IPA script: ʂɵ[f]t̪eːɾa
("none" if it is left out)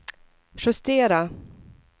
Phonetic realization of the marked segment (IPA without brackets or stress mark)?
s